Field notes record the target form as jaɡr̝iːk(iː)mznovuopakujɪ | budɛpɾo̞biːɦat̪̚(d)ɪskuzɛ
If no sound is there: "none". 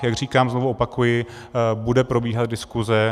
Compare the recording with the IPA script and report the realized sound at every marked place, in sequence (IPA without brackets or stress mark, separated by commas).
aː, d